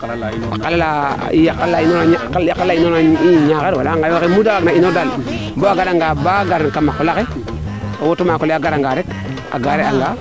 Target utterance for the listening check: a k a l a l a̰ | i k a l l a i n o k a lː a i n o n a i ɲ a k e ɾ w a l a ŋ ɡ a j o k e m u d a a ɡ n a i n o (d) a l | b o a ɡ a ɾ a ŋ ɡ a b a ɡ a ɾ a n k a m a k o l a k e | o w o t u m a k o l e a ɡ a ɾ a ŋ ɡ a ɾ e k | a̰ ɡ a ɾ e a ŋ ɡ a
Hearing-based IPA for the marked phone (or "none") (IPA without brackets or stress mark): d